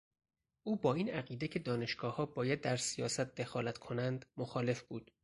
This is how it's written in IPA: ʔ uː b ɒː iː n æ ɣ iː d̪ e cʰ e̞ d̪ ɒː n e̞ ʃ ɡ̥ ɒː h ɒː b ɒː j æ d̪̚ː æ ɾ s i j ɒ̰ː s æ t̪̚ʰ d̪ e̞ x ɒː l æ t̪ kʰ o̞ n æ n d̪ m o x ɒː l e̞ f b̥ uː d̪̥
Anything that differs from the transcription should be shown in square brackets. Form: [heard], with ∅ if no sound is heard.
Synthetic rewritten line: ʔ uː b ɒː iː n æ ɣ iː d̪ e cʰ e̞ d̪ ɒː n e̞ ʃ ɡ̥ ɒː h ɒː b ɒː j æ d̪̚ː æ ɾ s i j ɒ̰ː s æ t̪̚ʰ d̪ e̞ x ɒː l æ t̪ kʰ o̞ n æ n d̪ m o x ɒː l e̞ f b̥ uː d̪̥

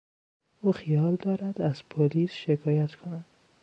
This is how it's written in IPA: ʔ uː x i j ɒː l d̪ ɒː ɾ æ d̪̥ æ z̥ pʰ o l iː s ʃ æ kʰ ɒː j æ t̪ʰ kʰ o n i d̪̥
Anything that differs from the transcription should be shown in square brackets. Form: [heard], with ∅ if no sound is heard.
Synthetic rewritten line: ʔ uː x i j ɒː l d̪ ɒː ɾ æ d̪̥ æ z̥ pʰ o l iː s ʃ [e] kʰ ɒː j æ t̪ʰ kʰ o n [æ] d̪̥

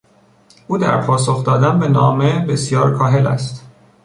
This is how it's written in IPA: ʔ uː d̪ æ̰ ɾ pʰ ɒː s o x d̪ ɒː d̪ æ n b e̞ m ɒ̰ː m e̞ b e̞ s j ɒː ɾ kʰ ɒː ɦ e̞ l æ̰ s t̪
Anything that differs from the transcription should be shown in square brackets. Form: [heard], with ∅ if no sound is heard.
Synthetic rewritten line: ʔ uː d̪ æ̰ ɾ pʰ ɒː s o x d̪ ɒː d̪ æ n b e̞ [n] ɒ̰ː m e̞ b e̞ s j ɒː ɾ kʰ ɒː ɦ e̞ l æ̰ s t̪

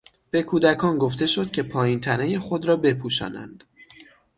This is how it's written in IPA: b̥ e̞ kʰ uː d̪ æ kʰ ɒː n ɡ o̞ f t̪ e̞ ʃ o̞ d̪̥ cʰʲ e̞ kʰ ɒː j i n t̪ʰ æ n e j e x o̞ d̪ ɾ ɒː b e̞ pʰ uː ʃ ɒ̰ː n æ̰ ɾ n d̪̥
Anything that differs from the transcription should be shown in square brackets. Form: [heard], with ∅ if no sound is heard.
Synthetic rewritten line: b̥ e̞ kʰ uː d̪ æ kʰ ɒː n ɡ o̞ f t̪ e̞ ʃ o̞ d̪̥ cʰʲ e̞ [pʰ] ɒː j i n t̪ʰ æ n e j e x o̞ d̪ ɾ ɒː b e̞ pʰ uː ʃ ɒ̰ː n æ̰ [∅] n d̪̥

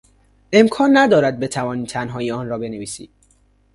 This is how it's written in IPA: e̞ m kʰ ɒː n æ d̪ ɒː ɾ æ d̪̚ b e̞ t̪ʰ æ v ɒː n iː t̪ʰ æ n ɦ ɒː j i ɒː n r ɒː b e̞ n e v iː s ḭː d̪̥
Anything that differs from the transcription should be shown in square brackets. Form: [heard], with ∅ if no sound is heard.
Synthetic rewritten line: e̞ m kʰ ɒː [nː] æ d̪ ɒː ɾ æ d̪̚ b e̞ t̪ʰ æ v ɒː n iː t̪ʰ æ n ɦ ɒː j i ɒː n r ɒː b e̞ n e v iː s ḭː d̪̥

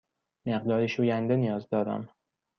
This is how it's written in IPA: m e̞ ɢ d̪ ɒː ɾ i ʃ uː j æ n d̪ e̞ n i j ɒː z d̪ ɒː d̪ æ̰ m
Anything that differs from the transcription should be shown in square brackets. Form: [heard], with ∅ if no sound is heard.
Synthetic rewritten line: m e̞ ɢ d̪ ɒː ɾ i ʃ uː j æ n d̪ e̞ n i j ɒː z d̪ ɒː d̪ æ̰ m

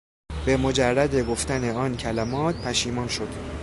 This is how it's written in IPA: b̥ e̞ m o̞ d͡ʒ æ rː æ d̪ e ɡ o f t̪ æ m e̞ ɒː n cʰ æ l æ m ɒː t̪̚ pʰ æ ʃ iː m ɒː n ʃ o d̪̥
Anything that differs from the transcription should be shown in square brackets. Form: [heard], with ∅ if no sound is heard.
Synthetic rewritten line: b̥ e̞ m o̞ d͡ʒ æ rː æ d̪ e ɡ o f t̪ æ [n] e̞ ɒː n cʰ æ l æ m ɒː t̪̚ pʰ æ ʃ iː m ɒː n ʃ o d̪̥

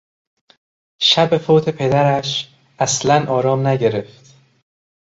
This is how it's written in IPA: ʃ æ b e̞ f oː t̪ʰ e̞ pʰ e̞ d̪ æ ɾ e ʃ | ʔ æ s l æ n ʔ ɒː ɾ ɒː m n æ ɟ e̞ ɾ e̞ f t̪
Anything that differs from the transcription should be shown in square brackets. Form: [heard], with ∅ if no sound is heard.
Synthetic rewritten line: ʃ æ b e̞ f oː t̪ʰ e̞ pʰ e̞ d̪ æ ɾ [æ] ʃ | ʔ æ s l æ n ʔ ɒː ɾ ɒː m n æ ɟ e̞ ɾ e̞ f t̪

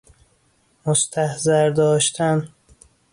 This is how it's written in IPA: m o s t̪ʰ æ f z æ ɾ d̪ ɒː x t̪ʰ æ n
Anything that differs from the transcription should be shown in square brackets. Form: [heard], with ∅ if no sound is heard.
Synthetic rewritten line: m o s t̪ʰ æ [h] z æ ɾ d̪ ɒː [ʃ] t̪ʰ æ n

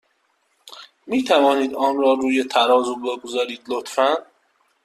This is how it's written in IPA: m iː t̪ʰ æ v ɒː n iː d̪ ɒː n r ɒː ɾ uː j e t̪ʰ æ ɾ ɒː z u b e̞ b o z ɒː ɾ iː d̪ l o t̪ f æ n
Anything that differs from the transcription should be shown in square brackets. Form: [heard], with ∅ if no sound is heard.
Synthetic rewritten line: m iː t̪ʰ æ v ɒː n iː d̪ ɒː n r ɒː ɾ uː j e t̪ʰ æ ɾ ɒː z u b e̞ [ɡ] o z ɒː ɾ iː d̪ l o t̪ f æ n

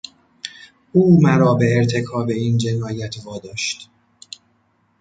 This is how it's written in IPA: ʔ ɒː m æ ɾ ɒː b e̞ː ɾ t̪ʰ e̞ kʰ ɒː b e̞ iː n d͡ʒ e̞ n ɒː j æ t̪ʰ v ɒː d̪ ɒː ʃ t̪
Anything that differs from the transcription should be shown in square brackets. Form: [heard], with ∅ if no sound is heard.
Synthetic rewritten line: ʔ [uː] m æ ɾ ɒː b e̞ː ɾ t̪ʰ e̞ kʰ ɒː b e̞ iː n d͡ʒ e̞ n ɒː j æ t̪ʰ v ɒː d̪ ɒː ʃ t̪

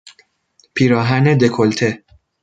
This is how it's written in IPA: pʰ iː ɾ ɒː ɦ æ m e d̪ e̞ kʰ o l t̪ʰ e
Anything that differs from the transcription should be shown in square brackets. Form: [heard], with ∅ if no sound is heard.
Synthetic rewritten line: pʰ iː ɾ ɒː ɦ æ [n] e d̪ e̞ kʰ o l t̪ʰ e

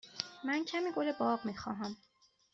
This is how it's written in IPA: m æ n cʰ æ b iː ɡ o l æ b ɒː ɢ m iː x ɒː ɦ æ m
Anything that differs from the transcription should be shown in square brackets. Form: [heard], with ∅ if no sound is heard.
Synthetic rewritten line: m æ n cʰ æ [m] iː ɡ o l [e] b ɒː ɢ m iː x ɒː ɦ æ m

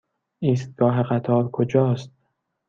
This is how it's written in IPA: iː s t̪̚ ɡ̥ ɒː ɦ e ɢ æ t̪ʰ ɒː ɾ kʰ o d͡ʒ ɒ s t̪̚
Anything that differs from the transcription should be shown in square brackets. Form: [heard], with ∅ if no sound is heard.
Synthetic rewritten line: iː s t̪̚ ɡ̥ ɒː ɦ e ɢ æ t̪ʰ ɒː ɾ kʰ o d͡ʒ [ɒː] s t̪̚

